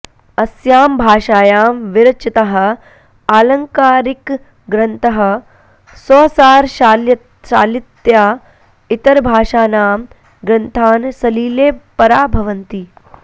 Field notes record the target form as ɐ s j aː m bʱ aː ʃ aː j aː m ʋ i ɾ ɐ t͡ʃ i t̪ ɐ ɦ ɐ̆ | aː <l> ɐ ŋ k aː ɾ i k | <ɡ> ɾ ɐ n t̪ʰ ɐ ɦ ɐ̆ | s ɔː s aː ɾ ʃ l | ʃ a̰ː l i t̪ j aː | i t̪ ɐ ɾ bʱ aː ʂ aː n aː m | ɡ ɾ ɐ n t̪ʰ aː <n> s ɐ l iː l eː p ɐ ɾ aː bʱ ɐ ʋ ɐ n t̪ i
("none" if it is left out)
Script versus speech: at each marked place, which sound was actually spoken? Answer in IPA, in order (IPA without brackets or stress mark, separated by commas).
l, ɡ, n